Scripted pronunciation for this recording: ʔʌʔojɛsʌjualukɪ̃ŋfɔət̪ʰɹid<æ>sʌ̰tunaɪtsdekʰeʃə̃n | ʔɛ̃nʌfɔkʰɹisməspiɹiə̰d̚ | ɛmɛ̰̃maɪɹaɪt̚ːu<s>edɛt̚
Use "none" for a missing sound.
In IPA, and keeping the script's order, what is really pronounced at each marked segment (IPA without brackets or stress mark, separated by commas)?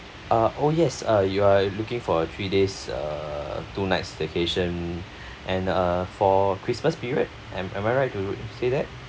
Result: e, s